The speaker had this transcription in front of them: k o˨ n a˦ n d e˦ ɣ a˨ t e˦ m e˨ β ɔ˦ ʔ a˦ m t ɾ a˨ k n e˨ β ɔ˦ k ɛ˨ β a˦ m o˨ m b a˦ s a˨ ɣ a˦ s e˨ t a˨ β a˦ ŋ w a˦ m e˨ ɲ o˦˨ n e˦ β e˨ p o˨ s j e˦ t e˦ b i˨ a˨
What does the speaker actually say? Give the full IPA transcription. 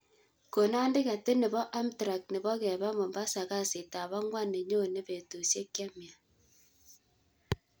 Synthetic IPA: k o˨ n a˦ n d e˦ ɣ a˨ t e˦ n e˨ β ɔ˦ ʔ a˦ m t ɾ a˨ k n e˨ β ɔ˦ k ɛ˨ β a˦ m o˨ m b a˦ s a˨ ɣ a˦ s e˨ t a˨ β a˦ ŋ w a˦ n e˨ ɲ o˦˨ n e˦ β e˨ t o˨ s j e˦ k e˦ m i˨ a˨